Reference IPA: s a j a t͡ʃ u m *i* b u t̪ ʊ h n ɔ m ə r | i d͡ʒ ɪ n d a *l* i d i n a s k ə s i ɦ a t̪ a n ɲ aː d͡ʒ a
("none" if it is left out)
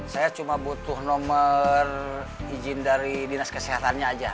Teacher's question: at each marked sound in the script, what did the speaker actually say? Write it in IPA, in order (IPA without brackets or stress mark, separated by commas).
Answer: a, ɾ